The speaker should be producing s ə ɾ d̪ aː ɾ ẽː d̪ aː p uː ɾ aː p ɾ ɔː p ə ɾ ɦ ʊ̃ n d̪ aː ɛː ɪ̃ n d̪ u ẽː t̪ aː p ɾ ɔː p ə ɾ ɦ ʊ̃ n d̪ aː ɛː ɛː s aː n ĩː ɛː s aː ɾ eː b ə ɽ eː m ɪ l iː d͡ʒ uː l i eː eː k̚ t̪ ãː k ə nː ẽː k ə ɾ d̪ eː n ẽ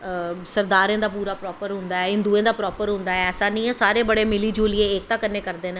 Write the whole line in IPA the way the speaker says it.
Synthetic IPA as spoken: s ə ɾ d̪ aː ɾ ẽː d̪ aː p uː ɾ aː p ɾ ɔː p ə ɾ ɦ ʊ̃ n d̪ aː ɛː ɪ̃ n d̪ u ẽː d̪ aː p ɾ ɔː p ə ɾ ɦ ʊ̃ n d̪ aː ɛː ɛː s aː n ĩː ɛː s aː ɾ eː b ə ɽ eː m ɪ l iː d͡ʒ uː l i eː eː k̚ t̪ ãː k ə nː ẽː k ə ɾ d̪ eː n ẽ

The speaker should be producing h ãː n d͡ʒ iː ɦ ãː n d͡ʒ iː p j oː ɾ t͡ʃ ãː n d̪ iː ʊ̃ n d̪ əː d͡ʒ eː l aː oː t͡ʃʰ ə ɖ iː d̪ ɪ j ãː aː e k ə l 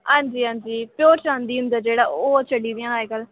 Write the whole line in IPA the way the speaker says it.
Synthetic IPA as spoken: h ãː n d͡ʒ iː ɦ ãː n d͡ʒ iː p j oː ɾ t͡ʃ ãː n d̪ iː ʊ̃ n d̪ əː d͡ʒ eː ɽ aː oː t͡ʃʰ ə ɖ iː d̪ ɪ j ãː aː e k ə l

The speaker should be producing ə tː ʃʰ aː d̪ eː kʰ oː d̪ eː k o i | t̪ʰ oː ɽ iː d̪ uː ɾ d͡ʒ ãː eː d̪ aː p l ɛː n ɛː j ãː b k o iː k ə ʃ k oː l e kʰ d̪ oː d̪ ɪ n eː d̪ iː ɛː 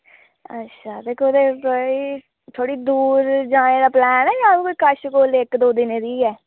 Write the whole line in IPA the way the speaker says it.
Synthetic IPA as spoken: ə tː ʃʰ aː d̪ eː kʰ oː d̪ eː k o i | t̪ʰ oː ɽ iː d̪ uː ɾ d͡ʒ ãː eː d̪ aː p l ɛː n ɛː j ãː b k o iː k ə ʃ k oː l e k d̪ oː d̪ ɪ n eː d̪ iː ɛː

